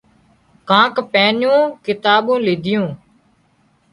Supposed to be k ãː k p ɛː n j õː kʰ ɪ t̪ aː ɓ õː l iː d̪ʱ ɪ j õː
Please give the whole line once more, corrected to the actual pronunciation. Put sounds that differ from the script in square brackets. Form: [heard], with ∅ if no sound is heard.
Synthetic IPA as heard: k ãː k p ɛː n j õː [k] ɪ t̪ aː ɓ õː l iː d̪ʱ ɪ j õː

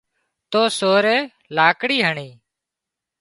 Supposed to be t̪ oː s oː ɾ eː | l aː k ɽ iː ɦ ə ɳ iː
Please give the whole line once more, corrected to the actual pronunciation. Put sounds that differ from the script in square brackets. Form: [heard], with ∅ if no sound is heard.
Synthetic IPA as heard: t̪ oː s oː ɾ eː | l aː k ɽ iː ɦ ə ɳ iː

